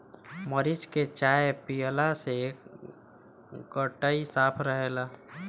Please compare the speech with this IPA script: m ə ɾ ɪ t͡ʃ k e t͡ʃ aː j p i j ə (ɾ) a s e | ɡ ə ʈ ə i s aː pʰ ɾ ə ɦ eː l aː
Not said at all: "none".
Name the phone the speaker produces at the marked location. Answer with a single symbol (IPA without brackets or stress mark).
l